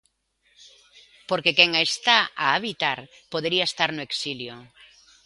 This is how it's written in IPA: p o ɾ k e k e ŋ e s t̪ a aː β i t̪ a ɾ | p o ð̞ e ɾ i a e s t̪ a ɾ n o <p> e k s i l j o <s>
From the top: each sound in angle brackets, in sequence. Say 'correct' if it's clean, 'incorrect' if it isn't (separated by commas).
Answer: incorrect, incorrect